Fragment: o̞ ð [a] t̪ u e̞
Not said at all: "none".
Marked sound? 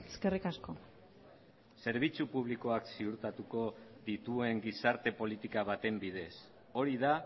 i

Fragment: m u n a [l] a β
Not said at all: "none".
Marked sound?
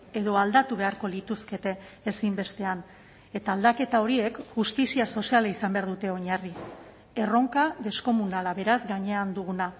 l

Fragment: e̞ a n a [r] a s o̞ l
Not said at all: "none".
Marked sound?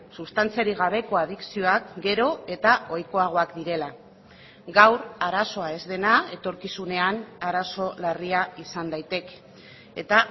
ɾ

